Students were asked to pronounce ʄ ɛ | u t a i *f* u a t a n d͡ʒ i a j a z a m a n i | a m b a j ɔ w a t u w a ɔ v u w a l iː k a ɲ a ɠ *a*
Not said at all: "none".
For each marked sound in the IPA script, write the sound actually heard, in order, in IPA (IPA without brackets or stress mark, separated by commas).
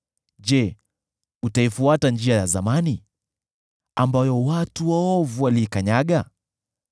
f, a